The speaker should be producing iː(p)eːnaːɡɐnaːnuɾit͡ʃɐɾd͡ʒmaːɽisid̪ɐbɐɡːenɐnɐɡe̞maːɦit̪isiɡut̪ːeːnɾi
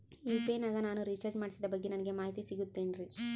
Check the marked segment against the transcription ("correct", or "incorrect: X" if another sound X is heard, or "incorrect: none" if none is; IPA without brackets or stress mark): correct